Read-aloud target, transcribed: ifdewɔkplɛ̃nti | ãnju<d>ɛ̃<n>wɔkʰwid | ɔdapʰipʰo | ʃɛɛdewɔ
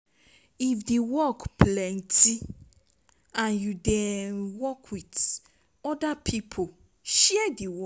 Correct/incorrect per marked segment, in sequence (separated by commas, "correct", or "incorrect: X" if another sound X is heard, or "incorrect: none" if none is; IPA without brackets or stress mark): correct, correct